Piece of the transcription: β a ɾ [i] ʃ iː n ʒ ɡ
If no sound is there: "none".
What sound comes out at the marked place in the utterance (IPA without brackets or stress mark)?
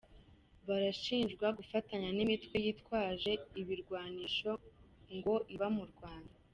a